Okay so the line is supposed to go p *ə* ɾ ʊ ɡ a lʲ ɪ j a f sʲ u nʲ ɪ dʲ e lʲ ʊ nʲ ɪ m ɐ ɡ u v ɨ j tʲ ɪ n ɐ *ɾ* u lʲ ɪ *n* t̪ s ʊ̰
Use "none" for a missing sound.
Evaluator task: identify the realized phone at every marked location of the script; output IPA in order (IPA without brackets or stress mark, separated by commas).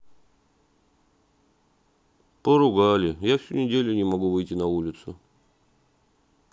ə, none, none